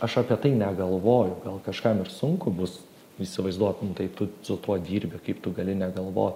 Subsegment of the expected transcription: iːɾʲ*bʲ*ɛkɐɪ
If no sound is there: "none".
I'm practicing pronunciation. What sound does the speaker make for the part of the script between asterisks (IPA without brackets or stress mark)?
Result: bʲ